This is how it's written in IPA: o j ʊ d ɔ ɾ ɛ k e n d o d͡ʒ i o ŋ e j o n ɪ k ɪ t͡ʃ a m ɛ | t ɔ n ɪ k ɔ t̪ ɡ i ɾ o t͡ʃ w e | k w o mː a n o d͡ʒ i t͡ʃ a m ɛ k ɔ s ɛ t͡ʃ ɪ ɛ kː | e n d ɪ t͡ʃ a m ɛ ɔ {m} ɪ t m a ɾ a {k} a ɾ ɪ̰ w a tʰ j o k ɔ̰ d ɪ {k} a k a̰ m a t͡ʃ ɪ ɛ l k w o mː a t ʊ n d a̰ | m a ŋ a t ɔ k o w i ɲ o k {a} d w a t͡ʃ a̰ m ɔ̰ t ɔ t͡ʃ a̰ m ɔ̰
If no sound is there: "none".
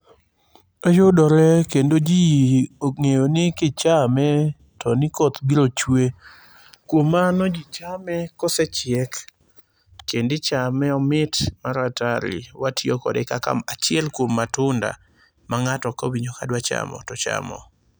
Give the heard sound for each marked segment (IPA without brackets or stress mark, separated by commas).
m, t, k, a